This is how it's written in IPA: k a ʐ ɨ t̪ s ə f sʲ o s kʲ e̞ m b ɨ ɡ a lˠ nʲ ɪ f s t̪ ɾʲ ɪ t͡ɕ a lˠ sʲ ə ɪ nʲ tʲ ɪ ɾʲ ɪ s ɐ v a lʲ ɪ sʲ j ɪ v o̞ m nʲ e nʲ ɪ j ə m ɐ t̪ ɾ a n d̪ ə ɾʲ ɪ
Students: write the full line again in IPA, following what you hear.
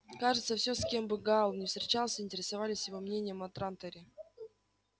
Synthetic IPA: k a ʐ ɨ t̪ s ə f sʲ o s kʲ e̞ m b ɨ ɡ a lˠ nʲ ɪ f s t̪ ɾʲ ɪ t͡ɕ a lˠ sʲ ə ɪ nʲ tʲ ɪ ɾʲ ɪ s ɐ v a lʲ ɪ sʲ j ɪ v o̞ m nʲ e nʲ ɪ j ə m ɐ t̪ ɾ a n t̪ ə ɾʲ ɪ

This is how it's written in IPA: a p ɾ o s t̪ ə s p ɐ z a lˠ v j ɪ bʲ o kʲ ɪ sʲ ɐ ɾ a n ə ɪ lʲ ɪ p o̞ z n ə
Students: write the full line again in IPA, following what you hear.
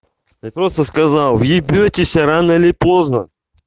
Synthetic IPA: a p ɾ o s t̪ ə s k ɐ z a lˠ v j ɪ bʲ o tʲ ɪ sʲ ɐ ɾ a n ə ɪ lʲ ɪ p o̞ z n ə

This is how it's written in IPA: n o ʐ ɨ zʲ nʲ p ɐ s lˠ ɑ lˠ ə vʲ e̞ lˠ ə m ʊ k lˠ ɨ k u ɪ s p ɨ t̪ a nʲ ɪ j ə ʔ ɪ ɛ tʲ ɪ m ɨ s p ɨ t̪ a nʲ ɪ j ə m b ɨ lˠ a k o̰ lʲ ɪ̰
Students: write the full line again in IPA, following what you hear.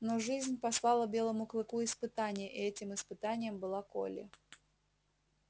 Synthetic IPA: n o ʐ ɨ zʲ nʲ p ɐ s lˠ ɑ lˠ ə bʲ e̞ lˠ ə m ʊ k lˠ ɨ k u ɪ s p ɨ t̪ a nʲ ɪ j ə ʔ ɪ ɛ tʲ ɪ m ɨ s p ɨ t̪ a nʲ ɪ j ə m b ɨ lˠ a k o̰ lʲ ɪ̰

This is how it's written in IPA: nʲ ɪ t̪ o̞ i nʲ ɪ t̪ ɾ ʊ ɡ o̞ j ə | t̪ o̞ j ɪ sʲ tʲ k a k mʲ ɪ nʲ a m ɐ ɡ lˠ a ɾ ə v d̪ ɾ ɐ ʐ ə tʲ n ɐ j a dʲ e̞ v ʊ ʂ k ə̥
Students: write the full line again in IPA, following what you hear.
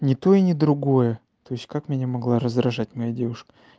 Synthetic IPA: nʲ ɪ t̪ o̞ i nʲ ɪ d̪ ɾ ʊ ɡ o̞ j ə | t̪ o̞ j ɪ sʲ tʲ k a k mʲ ɪ nʲ a m ɐ ɡ lˠ a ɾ ə z d̪ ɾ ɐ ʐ a tʲ m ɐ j a dʲ e̞ v ʊ ʂ k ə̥

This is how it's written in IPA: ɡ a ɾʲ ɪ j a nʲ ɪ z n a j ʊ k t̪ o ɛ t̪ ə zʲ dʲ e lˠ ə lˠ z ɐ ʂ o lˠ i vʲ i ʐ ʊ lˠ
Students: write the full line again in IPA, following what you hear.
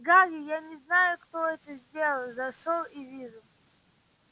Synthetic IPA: ɡ a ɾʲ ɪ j a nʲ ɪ z n a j ʊ k t̪ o ɛ t̪ ə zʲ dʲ e lˠ ə lˠ z ɐ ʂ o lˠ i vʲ i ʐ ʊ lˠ

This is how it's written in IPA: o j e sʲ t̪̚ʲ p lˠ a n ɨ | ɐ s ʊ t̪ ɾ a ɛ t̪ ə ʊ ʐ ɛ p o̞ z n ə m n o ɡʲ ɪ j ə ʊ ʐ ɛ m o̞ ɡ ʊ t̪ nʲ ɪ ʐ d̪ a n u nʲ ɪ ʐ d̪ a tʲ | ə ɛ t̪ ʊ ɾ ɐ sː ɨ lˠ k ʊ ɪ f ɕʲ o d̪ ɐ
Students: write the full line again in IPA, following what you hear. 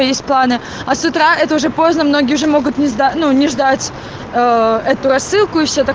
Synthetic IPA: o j e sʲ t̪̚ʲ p lˠ a n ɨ | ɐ s ʊ t̪ ɾ a ɛ t̪ ə ʊ ʐ ɛ p o̞ z n ə m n o ɡʲ ɪ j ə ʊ ʐ ɛ m o̞ ɡ ʊ t̪ nʲ ɪ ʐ d̪ a n u nʲ ɪ ʐ d̪ a tʲ | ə ɛ t̪ ʊ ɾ ɐ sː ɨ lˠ k ʊ ɪ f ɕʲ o t̪ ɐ

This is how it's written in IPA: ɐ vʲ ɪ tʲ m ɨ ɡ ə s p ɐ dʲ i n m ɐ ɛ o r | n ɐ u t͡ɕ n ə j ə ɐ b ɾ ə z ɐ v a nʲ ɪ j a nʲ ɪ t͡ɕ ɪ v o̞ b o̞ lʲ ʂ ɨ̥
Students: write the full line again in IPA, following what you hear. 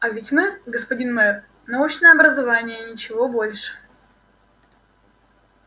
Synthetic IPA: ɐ vʲ ɪ tʲ m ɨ ɡ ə s p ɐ dʲ i n m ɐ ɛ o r | n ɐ u t͡ɕ n ə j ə ɐ b ɾ ə z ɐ v a nʲ ɪ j ə nʲ ɪ t͡ɕ ɪ v o̞ b o̞ lʲ ʂ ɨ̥

